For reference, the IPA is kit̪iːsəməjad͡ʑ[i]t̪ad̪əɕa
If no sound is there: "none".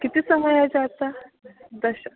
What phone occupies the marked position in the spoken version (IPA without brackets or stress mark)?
a